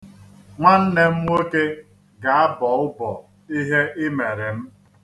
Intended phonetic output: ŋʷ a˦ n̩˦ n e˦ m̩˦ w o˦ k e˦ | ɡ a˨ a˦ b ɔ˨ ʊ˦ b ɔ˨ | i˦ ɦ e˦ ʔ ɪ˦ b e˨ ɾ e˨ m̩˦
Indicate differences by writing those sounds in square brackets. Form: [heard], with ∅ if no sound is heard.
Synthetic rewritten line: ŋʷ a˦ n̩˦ n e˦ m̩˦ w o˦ k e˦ | ɡ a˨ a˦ b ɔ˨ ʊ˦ b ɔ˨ | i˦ ɦ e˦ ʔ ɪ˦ [m] e˨ ɾ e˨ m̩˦